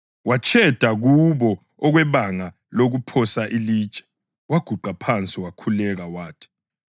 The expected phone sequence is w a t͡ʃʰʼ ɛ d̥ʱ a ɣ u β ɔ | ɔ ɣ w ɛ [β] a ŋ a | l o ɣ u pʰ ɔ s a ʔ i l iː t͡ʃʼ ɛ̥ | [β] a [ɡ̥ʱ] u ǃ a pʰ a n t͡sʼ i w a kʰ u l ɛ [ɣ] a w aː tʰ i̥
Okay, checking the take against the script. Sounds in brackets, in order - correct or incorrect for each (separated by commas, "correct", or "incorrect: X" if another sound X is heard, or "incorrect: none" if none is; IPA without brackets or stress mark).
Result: correct, incorrect: w, correct, correct